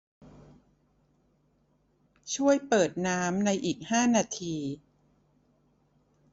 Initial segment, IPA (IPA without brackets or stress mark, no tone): t͡ɕʰ